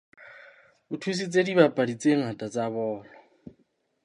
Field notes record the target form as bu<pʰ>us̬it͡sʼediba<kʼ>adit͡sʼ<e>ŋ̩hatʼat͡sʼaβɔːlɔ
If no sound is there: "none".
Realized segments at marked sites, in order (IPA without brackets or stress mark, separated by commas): tʰ, pʼ, e